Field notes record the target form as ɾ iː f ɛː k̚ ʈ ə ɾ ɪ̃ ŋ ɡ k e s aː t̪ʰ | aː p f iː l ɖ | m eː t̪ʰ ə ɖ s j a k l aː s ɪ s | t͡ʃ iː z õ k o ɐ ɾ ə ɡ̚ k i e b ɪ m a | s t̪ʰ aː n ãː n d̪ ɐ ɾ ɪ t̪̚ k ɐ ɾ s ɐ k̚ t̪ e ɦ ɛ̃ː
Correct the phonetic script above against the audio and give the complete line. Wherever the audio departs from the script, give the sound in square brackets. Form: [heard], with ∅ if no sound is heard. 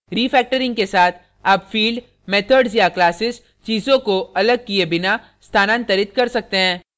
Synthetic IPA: ɾ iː f ɛː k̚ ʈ ə ɾ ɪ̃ ŋ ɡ k e s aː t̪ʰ | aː p f iː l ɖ | m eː t̪ʰ ə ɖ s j a k l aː s ɪ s | t͡ʃ iː z õ k o ɐ [l] ə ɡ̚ k i e b ɪ [n] a | s t̪ʰ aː n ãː n [t̪] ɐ ɾ ɪ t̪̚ k ɐ ɾ s ɐ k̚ t̪ e ɦ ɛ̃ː

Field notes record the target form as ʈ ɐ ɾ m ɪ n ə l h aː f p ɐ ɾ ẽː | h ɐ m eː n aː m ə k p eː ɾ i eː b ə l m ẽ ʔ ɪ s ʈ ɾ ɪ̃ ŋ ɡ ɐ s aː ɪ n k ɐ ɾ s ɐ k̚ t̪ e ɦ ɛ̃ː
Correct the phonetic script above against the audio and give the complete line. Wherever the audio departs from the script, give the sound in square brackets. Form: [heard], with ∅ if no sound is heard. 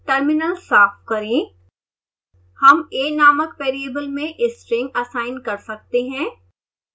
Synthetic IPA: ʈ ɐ ɾ m ɪ n ə l [s] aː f [k] ɐ ɾ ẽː | h ɐ m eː n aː m ə k p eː ɾ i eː b ə l m ẽ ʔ ɪ s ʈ ɾ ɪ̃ ŋ ɡ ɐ s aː ɪ n k ɐ ɾ s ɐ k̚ t̪ e ɦ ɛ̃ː

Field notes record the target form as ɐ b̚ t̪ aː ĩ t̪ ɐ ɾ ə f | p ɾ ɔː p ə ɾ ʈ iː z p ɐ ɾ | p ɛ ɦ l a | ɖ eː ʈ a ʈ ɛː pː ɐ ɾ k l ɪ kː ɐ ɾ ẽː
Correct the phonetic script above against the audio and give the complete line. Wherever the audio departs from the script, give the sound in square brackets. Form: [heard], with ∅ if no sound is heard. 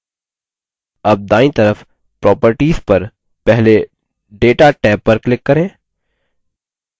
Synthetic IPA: ɐ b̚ [d̪] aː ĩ t̪ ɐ ɾ ə f | p ɾ ɔː p ə ɾ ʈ iː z p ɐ ɾ | p ɛ ɦ l [e] | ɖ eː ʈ a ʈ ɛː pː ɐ ɾ k l ɪ kː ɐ ɾ ẽː

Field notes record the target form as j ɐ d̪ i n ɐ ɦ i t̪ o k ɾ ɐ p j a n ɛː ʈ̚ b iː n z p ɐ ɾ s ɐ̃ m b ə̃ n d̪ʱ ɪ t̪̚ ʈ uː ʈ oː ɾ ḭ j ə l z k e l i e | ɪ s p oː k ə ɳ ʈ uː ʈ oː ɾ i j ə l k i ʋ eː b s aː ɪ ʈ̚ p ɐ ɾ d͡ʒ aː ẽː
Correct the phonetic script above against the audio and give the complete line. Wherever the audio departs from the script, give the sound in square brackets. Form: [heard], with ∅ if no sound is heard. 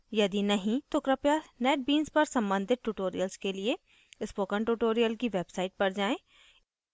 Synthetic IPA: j ɐ d̪ i n ɐ ɦ [ĩ] t̪ o k ɾ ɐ p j a n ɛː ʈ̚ b iː n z p ɐ ɾ s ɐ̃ m b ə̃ n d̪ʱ ɪ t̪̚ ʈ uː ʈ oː ɾ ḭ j ə l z k e l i e | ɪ s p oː k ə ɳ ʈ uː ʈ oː ɾ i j ə l k i ʋ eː b s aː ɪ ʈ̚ p ɐ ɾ d͡ʒ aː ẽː

